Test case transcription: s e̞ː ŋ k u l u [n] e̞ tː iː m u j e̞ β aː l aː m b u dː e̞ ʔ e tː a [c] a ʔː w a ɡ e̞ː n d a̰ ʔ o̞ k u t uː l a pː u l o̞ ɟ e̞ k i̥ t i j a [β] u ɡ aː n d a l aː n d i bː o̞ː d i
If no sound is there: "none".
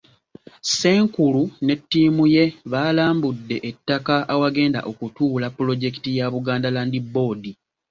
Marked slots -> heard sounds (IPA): n, k, β

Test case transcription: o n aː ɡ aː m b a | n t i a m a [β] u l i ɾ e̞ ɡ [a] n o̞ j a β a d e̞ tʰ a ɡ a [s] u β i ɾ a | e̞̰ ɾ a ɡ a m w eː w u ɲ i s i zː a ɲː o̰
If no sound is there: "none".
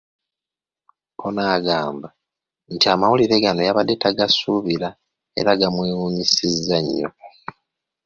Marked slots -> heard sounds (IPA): w, a, s

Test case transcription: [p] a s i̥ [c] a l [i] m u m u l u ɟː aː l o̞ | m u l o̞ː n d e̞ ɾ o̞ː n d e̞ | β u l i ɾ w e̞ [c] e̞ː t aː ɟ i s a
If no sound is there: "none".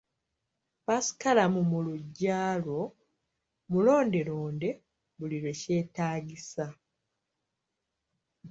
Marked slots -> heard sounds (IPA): p, k, a, c

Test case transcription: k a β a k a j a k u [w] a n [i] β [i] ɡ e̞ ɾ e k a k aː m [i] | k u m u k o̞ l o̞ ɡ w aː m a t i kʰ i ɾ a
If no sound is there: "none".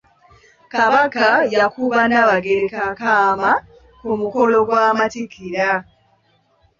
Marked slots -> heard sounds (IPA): β, a, a, a

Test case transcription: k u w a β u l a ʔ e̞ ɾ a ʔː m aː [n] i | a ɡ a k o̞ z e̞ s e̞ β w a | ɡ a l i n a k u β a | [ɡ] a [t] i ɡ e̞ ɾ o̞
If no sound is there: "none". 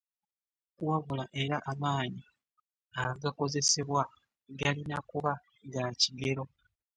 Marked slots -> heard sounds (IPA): ɲ, ɡ, c

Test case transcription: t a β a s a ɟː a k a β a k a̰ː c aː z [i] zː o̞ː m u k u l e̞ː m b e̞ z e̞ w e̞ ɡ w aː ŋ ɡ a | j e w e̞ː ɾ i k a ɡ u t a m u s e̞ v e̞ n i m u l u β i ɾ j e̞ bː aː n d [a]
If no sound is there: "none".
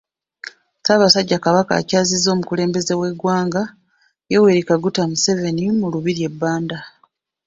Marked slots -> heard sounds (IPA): i, a

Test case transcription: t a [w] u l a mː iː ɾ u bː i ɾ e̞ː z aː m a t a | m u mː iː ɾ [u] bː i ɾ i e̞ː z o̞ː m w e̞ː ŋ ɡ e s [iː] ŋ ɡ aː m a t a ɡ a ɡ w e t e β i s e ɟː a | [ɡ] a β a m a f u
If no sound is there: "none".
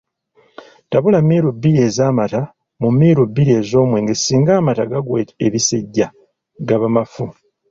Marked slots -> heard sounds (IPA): β, u, iː, ɡ

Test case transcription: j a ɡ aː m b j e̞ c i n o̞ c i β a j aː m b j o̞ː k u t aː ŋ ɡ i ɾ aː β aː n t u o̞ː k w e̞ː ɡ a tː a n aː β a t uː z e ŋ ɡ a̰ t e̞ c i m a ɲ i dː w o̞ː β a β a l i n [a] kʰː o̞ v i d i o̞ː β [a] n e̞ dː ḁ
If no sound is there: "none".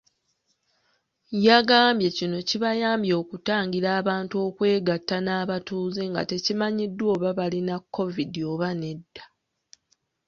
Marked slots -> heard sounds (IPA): a, a

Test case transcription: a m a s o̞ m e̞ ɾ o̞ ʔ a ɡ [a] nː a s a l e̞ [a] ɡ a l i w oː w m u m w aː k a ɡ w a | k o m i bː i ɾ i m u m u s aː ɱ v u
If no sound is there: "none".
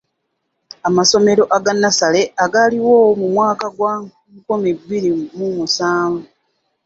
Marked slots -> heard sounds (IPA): a, a

